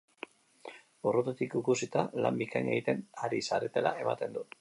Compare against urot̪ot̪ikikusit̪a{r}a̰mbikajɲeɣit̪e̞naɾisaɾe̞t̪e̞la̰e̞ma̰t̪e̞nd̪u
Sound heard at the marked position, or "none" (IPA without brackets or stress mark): l